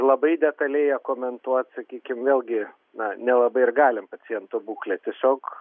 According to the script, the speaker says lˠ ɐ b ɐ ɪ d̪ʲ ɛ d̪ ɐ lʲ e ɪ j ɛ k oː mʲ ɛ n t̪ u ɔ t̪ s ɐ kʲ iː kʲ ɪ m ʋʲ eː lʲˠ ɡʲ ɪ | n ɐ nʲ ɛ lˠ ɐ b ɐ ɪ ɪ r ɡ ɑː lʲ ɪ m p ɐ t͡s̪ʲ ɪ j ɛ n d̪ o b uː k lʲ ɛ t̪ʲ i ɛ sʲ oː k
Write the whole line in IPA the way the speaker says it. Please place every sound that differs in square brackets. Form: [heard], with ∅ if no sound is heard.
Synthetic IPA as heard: lˠ ɐ b ɐ ɪ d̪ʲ ɛ [t̪] ɐ lʲ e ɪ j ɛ k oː mʲ ɛ n t̪ u ɔ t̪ s ɐ kʲ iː kʲ ɪ m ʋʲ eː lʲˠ ɡʲ ɪ | n ɐ nʲ ɛ lˠ ɐ b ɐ ɪ ɪ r ɡ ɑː lʲ ɪ m p ɐ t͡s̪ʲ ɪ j ɛ n [t̪] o b uː k lʲ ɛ t̪ʲ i ɛ sʲ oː k